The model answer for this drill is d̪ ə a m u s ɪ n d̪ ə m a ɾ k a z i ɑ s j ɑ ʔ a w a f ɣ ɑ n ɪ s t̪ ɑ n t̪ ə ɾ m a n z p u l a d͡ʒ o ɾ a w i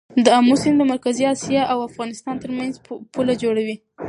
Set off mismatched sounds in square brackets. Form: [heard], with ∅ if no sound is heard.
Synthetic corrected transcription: d̪ ə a m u s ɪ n d̪ ə m a ɾ k a z i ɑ s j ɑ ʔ a w a f ɣ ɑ n ɪ s t̪ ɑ n t̪ ə ɾ m a n z p u l a d͡ʒ o [ɽ] a w i